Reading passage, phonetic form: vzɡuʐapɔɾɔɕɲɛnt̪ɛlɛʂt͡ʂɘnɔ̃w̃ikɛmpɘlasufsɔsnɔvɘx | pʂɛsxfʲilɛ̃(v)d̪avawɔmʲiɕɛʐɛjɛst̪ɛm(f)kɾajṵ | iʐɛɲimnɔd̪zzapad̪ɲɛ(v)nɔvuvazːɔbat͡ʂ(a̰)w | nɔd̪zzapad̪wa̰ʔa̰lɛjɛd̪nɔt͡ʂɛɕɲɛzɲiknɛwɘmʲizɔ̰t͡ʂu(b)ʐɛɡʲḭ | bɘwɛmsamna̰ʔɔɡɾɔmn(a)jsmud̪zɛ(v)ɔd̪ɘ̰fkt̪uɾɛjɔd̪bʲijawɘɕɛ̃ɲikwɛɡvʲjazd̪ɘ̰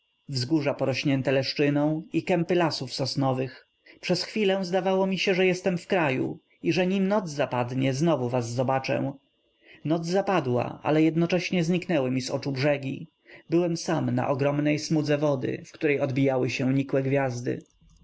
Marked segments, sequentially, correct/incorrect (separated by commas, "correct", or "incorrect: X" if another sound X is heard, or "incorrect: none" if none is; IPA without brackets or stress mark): incorrect: z, correct, incorrect: z, incorrect: ɛ̰, correct, incorrect: ɛ, correct